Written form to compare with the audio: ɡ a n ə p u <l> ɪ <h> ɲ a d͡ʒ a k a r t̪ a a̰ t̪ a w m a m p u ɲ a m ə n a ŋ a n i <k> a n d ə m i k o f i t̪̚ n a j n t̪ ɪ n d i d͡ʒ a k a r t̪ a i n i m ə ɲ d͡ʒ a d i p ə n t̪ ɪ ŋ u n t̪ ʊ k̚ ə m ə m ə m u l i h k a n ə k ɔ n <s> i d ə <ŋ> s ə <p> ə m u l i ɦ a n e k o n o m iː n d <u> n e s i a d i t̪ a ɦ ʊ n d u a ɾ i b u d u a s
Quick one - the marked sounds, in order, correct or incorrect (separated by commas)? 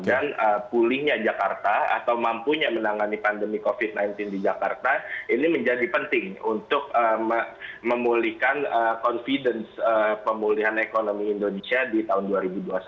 correct, correct, incorrect, incorrect, incorrect, correct, incorrect